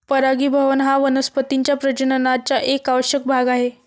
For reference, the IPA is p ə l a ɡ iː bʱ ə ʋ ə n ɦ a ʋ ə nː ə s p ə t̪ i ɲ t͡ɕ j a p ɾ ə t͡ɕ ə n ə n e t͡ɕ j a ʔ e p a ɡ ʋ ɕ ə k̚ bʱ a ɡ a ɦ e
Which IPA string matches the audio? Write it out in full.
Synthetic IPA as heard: p ə ɾ a ɡ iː bʱ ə ʋ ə n ɦ a ʋ ə n ə s p ə t̪ i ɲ t͡ɕ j a p ɾ ə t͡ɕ ə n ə n a t͡ɕ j a ʔ e k a ʋ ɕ ə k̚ bʱ a ɡ a ɦ e